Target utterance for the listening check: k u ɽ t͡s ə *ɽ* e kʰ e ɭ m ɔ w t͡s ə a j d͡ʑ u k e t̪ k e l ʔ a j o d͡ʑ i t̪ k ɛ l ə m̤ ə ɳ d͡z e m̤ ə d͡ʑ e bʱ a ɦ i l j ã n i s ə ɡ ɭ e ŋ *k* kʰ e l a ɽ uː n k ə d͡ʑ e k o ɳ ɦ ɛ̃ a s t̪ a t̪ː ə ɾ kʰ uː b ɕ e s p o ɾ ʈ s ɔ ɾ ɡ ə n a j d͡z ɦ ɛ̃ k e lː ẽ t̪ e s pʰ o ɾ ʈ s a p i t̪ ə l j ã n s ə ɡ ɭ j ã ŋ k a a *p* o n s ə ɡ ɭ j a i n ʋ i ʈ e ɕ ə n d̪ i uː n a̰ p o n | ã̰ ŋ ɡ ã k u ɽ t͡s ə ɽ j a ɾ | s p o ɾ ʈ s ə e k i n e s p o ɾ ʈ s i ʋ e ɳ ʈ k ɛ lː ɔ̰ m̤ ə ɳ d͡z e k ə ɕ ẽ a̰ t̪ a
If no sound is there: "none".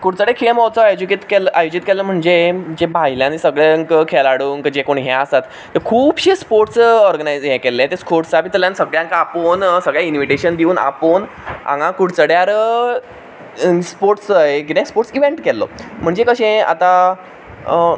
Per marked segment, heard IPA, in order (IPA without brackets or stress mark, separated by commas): ɽ, k, p